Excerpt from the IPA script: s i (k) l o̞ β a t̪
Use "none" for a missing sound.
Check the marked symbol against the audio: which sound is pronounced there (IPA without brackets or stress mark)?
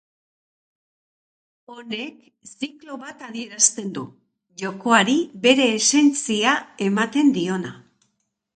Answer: k